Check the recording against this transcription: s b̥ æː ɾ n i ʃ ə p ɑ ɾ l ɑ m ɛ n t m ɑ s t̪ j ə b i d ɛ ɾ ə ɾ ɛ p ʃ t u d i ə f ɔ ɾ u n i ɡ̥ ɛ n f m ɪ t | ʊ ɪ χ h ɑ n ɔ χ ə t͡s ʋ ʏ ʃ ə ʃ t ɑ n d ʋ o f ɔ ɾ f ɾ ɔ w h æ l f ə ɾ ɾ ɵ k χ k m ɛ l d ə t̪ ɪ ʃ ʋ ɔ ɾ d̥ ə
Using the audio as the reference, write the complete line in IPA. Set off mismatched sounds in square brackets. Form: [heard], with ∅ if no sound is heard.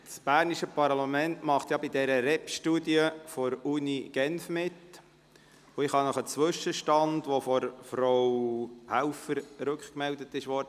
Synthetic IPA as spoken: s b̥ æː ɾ n i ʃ ə p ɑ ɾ l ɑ m ɛ n t m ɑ [χ] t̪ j [ɑ] b i d ɛ ɾ ə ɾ ɛ p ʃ t u d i ə f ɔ ɾ u n i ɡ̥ ɛ n f m ɪ t | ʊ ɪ χ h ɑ n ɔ χ ə t͡s ʋ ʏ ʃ ə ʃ t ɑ n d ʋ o f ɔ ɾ f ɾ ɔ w h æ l f ə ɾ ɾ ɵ k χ k m ɛ l d ə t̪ ɪ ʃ ʋ ɔ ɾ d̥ ə